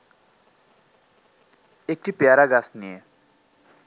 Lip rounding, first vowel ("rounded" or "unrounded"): unrounded